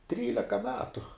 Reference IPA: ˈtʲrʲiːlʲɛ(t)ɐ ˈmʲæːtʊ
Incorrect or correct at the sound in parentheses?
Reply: incorrect: k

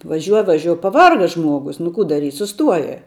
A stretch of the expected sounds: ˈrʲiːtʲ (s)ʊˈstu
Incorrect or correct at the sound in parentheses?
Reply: correct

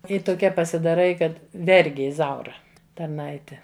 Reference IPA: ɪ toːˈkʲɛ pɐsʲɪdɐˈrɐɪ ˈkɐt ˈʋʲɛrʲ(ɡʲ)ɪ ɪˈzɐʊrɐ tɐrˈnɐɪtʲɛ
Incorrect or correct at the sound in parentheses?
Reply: correct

